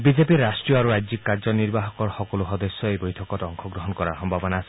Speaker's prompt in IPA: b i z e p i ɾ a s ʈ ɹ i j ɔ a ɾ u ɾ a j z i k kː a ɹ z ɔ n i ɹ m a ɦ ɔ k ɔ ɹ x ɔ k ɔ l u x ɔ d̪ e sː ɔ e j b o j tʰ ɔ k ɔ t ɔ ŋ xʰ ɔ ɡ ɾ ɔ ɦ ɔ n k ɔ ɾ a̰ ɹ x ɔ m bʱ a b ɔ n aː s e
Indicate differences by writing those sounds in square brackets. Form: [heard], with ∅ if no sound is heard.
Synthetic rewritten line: b i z e p i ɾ a s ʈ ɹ i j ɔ a ɾ u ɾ a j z i k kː a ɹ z ɔ n i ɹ [b] a ɦ ɔ k ɔ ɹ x ɔ k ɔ l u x ɔ d̪ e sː ɔ e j b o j tʰ ɔ k ɔ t ɔ ŋ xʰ ɔ ɡ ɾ ɔ ɦ ɔ n k ɔ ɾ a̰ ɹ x ɔ m bʱ a b ɔ n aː s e